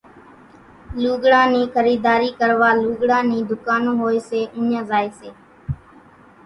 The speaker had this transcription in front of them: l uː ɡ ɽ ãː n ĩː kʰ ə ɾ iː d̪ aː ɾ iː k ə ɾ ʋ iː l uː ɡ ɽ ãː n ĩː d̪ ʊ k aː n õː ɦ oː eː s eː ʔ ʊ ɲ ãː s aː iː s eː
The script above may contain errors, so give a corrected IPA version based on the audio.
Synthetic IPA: l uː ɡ ɽ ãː n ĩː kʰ ə ɾ iː d̪ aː ɾ iː k ə ɾ ʋ aː l uː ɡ ɽ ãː n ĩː d̪ ʊ k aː n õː ɦ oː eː s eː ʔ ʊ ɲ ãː z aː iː s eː

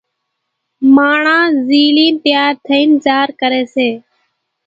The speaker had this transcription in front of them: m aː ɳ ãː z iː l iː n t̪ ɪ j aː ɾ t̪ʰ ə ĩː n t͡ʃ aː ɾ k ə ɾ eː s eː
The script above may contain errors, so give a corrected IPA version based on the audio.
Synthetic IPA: m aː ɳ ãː z iː l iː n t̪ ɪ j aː ɾ t̪ʰ ə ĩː n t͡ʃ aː ɾ k ə ɾ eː s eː

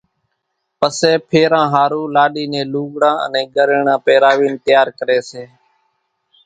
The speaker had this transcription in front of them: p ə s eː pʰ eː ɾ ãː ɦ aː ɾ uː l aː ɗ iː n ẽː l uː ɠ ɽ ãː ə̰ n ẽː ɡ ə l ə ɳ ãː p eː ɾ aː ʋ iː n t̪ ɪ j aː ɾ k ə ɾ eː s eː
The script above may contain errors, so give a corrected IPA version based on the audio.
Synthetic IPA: p ə s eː pʰ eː ɾ ãː ɦ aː ɾ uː l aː ɗ iː n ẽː l uː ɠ ɽ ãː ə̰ n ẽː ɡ ə ɾ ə ɳ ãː p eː ɾ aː ʋ iː n t̪ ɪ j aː ɾ k ə ɾ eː s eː

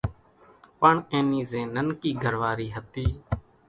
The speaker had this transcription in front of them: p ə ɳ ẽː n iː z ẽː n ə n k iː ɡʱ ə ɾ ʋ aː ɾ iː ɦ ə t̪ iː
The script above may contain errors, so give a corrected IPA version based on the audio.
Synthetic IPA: p ə ɳ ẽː n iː z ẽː n ə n k iː ɡʱ ə ɾ ʋ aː ɾ iː ɦ ə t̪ iː

